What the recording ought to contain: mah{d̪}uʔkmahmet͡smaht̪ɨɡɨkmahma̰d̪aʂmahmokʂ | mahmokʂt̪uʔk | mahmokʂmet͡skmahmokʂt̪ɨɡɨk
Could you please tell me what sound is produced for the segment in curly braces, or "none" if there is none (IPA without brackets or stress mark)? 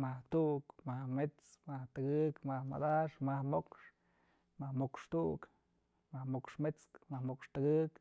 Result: t̪